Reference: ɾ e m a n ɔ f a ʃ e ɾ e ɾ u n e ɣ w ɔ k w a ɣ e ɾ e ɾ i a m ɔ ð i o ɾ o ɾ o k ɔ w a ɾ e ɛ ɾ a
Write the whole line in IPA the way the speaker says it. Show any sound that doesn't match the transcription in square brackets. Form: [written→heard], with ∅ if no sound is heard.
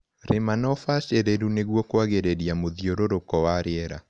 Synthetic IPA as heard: ɾ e m a n ɔ f a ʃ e ɾ e ɾ u n e ɣ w ɔ k w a ɣ e ɾ e ɾ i a m [ɔ→o] ð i o ɾ o ɾ o k ɔ w a ɾ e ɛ ɾ a